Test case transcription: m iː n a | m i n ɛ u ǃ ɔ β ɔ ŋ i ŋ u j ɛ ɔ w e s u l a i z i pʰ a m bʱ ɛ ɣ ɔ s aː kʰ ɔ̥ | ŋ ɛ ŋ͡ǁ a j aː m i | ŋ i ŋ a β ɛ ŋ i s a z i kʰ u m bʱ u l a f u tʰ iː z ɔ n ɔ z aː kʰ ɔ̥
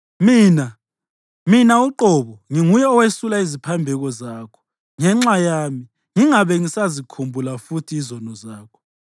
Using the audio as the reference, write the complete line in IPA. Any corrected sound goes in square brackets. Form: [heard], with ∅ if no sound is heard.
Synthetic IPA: m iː n a | m i n [a] u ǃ ɔ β ɔ ŋ i ŋ u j ɛ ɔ w e s u l a i z i pʰ a m bʱ ɛ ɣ ɔ [z] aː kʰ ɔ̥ | ŋ ɛ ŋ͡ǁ a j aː m i | ŋ i ŋ a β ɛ ŋ i s a z i kʰ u m bʱ u l a f u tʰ iː z ɔ n ɔ z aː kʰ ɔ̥